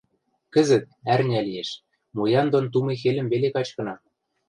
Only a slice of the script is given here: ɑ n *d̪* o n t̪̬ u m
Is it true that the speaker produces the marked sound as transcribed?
yes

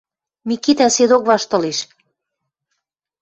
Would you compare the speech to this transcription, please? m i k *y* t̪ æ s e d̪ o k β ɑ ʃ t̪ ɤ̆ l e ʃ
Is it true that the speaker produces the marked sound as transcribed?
no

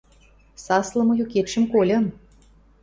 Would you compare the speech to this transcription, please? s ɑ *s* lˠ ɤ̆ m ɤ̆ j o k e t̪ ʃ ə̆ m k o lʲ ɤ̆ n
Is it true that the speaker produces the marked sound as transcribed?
yes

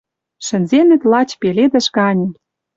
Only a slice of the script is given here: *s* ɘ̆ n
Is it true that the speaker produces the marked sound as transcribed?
no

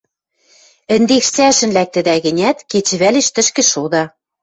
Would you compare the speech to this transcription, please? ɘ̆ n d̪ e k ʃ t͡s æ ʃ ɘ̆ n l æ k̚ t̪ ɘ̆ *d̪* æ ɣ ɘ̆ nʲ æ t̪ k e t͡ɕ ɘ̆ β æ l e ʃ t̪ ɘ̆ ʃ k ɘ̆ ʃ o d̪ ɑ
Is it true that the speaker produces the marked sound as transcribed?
yes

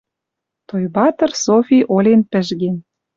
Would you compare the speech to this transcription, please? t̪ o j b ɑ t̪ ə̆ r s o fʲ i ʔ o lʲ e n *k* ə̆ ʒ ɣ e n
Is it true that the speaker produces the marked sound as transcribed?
no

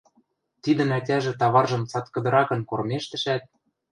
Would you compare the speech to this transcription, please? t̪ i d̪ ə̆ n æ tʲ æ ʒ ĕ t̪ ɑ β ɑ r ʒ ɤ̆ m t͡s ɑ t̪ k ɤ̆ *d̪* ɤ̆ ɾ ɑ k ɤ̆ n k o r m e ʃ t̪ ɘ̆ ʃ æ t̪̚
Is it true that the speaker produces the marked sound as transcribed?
yes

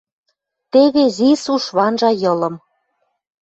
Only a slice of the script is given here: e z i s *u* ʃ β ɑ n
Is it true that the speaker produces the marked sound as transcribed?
yes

